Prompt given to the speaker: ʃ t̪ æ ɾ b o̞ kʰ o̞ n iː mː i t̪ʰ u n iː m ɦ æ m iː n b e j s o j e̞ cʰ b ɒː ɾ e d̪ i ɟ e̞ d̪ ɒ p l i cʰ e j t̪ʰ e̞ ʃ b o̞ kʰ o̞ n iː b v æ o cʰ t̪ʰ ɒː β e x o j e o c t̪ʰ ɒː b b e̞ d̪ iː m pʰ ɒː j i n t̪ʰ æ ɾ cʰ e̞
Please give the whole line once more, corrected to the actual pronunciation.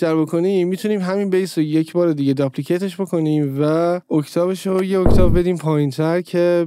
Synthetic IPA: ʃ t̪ æ ɾ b o̞ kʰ o̞ n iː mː i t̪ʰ u n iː m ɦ æ m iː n b e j s o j e̞ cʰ b ɒː ɾ e d̪ i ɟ e̞ d̪ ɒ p l i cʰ e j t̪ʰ e̞ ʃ b o̞ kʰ o̞ n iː m v æ o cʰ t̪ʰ ɒː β e ʃ o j e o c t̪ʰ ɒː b b e̞ d̪ iː m pʰ ɒː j i n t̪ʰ æ ɾ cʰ e̞